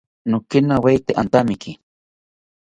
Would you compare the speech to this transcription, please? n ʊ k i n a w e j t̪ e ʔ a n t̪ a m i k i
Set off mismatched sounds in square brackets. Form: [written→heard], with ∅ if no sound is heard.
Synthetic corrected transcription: n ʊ k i n a w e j t̪ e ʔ a n t̪ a m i k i